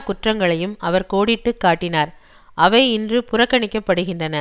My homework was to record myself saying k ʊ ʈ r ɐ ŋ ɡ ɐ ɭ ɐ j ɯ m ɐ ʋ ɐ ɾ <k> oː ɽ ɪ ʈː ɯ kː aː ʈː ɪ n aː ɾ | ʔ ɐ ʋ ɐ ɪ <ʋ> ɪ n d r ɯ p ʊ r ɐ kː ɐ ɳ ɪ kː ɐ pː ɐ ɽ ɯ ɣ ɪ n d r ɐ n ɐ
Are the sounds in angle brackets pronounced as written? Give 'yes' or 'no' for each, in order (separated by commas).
yes, no